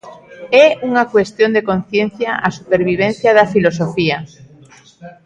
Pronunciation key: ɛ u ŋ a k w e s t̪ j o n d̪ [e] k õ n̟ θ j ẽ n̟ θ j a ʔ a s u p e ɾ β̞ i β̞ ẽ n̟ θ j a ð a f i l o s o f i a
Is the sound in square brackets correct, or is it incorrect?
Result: correct